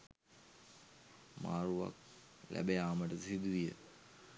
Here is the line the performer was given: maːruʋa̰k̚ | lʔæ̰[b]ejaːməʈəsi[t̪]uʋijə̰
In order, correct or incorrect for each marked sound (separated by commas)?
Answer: correct, incorrect